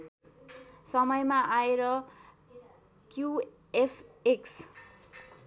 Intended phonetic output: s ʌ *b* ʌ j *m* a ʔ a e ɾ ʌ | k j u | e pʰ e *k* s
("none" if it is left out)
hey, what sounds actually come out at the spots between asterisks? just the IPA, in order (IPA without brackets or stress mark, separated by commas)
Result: m, m, k